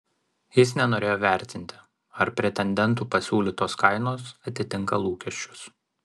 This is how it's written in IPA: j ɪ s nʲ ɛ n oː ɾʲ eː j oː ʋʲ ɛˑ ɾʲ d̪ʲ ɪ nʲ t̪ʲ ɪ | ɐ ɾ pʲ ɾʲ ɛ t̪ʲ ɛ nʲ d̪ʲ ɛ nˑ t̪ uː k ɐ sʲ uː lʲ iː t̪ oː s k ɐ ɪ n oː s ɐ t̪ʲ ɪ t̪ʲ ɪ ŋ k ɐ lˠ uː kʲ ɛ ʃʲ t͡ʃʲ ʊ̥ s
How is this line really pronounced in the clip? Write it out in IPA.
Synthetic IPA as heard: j ɪ s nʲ ɛ n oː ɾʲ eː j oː ʋʲ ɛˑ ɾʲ t̪ʲ ɪ nʲ t̪ʲ ɪ | ɐ ɾ pʲ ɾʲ ɛ t̪ʲ ɛ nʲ d̪ʲ ɛ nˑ t̪ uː p ɐ sʲ uː lʲ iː t̪ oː s k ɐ ɪ n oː s ɐ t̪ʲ ɪ t̪ʲ ɪ ŋ k ɐ lˠ uː kʲ ɛ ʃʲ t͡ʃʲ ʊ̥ s